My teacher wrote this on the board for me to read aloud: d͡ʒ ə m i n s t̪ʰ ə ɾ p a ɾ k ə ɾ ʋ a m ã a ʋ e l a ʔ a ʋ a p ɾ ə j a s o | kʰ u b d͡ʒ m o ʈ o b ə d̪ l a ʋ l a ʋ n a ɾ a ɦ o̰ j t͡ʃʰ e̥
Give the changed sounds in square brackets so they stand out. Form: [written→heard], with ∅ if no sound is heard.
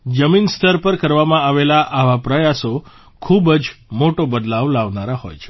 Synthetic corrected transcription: d͡ʒ ə m i n s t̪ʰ ə ɾ p [a→ə] ɾ k ə ɾ ʋ a m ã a ʋ e l a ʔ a ʋ a p ɾ ə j a s o | kʰ u b d͡ʒ m o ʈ o b ə d̪ l a ʋ l a ʋ n a ɾ a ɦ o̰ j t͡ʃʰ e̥

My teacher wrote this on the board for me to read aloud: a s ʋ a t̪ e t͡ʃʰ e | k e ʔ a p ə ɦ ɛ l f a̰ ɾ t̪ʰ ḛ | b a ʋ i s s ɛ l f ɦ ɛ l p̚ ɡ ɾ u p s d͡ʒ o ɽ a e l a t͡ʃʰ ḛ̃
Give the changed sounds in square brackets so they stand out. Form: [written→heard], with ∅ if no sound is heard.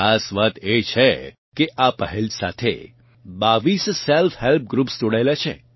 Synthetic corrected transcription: a s ʋ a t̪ e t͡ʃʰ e | k e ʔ a p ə ɦ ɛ l [f→s] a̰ [ɾ→∅] t̪ʰ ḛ | b a ʋ i s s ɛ l f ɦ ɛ l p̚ ɡ ɾ u p s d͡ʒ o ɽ a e l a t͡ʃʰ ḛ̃

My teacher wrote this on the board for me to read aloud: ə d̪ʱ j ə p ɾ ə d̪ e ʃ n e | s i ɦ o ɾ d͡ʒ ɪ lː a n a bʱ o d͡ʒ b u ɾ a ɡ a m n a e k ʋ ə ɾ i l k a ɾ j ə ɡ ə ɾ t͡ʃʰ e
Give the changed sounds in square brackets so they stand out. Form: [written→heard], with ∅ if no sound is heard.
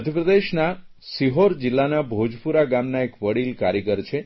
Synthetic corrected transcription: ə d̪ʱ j ə p ɾ ə d̪ e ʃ n [e→a] | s i ɦ o ɾ d͡ʒ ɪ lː a n a bʱ o d͡ʒ [b→p] u ɾ a ɡ a m n a e k ʋ ə [ɾ→ɽ] i l k a ɾ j ə ɡ ə ɾ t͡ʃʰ e

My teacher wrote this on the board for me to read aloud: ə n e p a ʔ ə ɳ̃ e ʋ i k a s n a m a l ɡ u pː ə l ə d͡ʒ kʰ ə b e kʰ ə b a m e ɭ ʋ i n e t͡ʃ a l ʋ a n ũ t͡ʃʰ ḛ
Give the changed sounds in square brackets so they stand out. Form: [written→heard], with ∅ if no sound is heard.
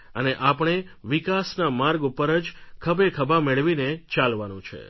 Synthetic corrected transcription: ə n e [p→ʔ] a [ʔ→p] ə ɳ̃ e ʋ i k a s n a m a [l→ɾ] ɡ u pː ə [l→ɾ] ə d͡ʒ kʰ ə b e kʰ ə b a m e ɭ ʋ i n e t͡ʃ a l ʋ a n ũ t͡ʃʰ ḛ

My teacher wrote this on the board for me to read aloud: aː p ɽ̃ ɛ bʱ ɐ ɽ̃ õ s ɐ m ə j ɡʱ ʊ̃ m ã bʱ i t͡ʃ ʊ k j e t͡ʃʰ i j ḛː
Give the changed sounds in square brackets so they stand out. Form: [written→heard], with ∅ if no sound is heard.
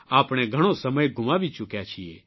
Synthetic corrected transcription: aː p ɽ̃ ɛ [bʱ→ɡʱ] ɐ ɽ̃ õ s ɐ m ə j ɡʱ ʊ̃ m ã bʱ i t͡ʃ ʊ k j [e→a] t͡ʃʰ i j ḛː

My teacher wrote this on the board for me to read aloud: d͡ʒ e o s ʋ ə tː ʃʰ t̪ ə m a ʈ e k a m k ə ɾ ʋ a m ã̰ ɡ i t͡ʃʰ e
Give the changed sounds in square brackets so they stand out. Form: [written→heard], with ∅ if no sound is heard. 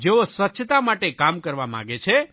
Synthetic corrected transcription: d͡ʒ e o s ʋ ə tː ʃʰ t̪ [ə→a] m a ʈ e k a m k ə ɾ ʋ a m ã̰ ɡ [i→e] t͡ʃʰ e

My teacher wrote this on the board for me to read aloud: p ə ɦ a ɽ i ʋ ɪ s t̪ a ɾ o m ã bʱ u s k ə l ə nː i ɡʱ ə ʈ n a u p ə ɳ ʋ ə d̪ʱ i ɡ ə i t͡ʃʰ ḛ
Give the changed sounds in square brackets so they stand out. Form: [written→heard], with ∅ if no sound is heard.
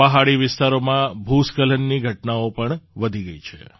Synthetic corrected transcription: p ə ɦ a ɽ i ʋ ɪ s t̪ a ɾ o m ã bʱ u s k ə l ə nː i ɡʱ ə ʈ n a [u→o] p ə ɳ ʋ ə d̪ʱ i ɡ ə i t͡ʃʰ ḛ

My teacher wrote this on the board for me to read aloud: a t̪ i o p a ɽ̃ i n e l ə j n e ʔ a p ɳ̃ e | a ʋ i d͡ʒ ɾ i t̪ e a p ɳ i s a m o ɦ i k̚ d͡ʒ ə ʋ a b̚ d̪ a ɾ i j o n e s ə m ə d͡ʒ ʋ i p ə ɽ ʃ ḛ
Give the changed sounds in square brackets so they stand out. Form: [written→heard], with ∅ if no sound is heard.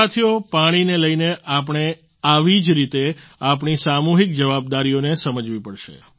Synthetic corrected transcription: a [t̪→t̪ʰ] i o p a ɽ̃ i n e l ə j n e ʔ a p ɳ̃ e | a ʋ i d͡ʒ ɾ i t̪ e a p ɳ i s a m [o→u] ɦ i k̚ d͡ʒ ə ʋ a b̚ d̪ a ɾ i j o n e s ə m ə d͡ʒ ʋ i p ə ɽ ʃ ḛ

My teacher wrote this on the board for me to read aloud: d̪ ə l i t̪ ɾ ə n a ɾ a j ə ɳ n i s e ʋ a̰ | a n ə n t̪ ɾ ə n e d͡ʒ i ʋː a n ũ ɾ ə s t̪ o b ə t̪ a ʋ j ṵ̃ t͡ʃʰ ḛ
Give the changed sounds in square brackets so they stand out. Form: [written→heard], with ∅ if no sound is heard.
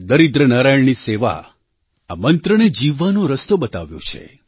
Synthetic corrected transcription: d̪ ə [l→ɾ] i [t̪→d̪] ɾ ə n a ɾ a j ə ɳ n i s e ʋ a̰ | a [n→m] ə n t̪ ɾ ə n e d͡ʒ i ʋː a n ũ ɾ ə s t̪ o b ə t̪ a ʋ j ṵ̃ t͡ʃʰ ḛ

